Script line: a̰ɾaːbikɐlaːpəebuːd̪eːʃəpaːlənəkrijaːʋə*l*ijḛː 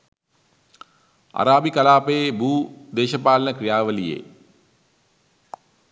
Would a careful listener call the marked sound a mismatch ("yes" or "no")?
no